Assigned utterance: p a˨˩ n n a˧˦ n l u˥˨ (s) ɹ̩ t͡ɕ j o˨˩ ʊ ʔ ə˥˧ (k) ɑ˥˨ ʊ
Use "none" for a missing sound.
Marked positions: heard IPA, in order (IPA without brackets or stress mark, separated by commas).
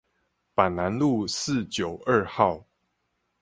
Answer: s, x